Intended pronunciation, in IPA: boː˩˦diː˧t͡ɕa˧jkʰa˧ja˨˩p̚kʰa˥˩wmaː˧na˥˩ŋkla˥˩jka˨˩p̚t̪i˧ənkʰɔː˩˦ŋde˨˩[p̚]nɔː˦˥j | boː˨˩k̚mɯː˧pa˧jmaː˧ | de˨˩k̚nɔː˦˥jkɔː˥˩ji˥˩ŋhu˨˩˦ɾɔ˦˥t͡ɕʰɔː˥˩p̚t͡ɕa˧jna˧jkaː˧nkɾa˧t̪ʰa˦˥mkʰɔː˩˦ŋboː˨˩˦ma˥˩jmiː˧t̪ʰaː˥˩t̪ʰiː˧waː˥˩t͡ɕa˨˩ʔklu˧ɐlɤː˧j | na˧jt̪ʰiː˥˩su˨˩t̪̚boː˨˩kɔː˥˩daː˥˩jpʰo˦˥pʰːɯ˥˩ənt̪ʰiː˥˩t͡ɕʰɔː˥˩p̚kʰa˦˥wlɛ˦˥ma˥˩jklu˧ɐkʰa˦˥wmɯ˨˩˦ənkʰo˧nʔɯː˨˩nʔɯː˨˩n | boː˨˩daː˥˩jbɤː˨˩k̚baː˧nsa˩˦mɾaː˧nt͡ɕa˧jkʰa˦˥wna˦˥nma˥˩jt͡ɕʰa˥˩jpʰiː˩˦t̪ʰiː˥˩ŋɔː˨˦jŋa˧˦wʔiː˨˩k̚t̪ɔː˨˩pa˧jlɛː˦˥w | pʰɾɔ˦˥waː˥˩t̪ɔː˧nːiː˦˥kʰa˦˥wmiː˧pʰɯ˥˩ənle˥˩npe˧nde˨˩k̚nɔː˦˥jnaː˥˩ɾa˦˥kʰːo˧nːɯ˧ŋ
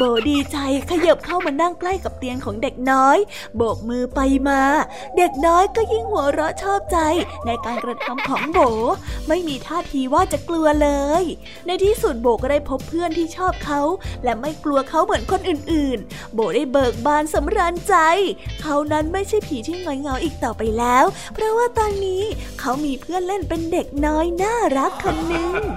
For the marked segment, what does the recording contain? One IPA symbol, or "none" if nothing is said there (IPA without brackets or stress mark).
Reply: k̚